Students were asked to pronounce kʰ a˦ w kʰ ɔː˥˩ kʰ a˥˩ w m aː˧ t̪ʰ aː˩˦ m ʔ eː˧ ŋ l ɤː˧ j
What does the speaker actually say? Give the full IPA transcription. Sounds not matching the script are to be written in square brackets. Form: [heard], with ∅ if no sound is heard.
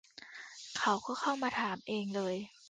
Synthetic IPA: kʰ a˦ w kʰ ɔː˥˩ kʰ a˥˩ w m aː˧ t̪ʰ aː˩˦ m ʔ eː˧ ŋ l ɤː˧ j

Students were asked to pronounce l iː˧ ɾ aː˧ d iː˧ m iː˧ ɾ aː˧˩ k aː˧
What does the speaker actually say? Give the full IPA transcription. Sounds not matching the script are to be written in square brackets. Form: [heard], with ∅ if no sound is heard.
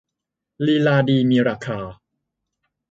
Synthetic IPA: l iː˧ [l] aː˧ d iː˧ m iː˧ ɾ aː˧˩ [kʰ] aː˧

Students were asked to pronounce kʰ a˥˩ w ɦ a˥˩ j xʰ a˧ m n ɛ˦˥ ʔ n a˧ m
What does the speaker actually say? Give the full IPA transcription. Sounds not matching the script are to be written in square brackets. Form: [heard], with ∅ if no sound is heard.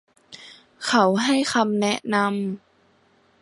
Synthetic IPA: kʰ [a˦˥] w ɦ a˥˩ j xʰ a˧ m n ɛ˦˥ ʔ n a˧ m

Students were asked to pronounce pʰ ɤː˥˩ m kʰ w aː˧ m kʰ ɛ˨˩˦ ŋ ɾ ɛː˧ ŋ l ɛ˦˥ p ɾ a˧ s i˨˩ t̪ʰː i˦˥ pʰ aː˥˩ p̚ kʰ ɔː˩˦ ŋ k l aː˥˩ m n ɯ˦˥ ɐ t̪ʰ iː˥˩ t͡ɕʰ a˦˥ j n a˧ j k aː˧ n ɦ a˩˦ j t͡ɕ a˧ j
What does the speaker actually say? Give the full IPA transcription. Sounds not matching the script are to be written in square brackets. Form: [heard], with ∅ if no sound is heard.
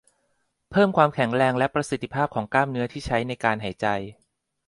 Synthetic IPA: pʰ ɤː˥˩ m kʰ w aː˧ m kʰ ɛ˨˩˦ ŋ ɾ ɛː˧ ŋ l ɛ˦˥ p ɾ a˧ s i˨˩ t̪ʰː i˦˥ pʰ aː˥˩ p̚ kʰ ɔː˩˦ ŋ k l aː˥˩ m n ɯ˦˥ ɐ t̪ʰ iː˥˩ t͡ɕʰ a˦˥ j n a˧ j k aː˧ n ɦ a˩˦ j t͡ɕ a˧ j

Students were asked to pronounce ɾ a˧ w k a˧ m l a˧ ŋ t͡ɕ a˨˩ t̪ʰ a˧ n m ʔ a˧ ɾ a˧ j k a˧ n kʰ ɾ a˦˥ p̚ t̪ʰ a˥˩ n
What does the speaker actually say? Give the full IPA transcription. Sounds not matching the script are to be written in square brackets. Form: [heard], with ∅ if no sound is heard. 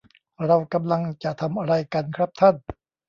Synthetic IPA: ɾ a˧ w k a˧ m l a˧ ŋ t͡ɕ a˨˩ t̪ʰ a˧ [∅] m ʔ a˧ ɾ a˧ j k a˧ n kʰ ɾ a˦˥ p̚ t̪ʰ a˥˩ n

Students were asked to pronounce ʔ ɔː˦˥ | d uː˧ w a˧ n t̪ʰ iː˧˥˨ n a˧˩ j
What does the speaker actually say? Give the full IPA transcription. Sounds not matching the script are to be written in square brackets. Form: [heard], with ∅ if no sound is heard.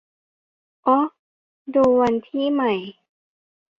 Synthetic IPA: ʔ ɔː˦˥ | d uː˧ w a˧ n t̪ʰ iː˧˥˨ [m] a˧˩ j

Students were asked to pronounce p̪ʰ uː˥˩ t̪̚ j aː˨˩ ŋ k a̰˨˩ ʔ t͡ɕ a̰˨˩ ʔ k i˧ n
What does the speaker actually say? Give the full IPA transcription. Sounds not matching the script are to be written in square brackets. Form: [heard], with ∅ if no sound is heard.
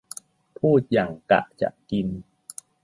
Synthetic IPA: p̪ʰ uː˥˩ t̪̚ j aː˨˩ ŋ k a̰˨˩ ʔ t͡ɕ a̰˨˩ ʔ k i˧ n

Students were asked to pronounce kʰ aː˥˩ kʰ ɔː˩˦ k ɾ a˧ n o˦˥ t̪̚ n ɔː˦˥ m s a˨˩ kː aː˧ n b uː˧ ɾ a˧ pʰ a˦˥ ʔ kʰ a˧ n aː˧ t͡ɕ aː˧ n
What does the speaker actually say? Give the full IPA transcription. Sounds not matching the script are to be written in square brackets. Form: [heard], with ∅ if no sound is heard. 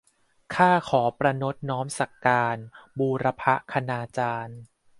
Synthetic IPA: kʰ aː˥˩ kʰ ɔː˩˦ [p] ɾ a˧ n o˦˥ t̪̚ n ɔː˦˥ m s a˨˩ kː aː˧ n b uː˧ ɾ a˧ pʰ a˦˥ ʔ kʰ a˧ n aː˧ t͡ɕ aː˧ n

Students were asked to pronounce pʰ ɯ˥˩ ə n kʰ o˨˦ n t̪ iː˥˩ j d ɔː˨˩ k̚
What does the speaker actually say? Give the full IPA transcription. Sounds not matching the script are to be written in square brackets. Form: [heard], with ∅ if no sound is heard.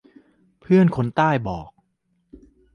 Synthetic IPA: pʰ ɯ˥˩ ə n kʰ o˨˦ n t̪ [aː˥˩] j [b] ɔː˨˩ k̚

